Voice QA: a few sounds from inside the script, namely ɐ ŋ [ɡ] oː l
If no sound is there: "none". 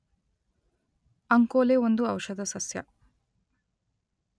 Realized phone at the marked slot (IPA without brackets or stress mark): k